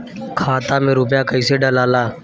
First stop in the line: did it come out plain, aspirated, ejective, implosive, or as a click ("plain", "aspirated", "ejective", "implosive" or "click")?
aspirated